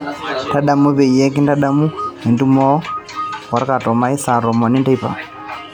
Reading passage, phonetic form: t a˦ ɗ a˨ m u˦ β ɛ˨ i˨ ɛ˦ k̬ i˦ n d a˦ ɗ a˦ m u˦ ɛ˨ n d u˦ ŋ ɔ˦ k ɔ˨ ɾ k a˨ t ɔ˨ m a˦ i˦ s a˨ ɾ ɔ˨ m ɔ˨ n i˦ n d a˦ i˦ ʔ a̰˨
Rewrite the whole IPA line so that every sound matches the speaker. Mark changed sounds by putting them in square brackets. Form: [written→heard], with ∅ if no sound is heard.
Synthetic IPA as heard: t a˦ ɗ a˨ m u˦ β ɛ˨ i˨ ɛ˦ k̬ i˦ n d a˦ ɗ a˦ m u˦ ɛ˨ n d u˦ [ŋ→m] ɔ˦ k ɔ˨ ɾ k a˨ t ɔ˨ m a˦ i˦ s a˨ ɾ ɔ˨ m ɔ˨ n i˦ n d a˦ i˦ [ʔ→p] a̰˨